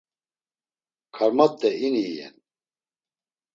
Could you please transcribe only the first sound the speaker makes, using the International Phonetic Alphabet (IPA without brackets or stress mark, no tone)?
kʰ